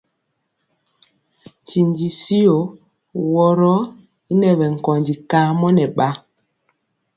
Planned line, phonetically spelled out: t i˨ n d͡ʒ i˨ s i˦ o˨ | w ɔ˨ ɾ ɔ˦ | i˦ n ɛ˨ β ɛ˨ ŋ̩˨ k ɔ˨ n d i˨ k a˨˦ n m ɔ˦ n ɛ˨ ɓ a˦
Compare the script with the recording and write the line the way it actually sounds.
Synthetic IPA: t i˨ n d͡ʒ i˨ s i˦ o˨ | w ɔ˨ ɾ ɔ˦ | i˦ n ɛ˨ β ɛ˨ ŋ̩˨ k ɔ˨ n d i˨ k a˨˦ m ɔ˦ n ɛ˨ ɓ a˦